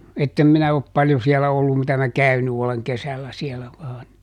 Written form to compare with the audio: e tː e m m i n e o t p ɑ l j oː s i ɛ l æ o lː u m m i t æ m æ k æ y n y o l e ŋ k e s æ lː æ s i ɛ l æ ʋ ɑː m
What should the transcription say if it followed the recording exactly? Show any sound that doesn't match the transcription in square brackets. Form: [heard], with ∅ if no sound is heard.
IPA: e tː e m m i n [æ] o [p] p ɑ l j [o] s i ɛ l æ o lː u m m i t æ m æ k æ y n y o l e ŋ k e s æ lː æ s i ɛ l æ ʋ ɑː [n]